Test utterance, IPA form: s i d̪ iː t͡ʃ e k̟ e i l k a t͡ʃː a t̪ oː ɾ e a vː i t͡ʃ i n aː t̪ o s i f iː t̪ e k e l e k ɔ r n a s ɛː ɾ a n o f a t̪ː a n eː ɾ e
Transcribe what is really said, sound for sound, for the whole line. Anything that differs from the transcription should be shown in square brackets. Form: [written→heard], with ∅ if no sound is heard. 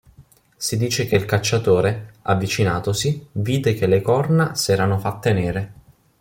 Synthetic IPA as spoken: s i d̪ iː t͡ʃ e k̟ e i l k a t͡ʃː a t̪ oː ɾ e a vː i t͡ʃ i n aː t̪ o s i [f→v] iː [t̪→d̪] e k e l e k ɔ r n a s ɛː ɾ a n o f a t̪ː [a→e] n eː ɾ e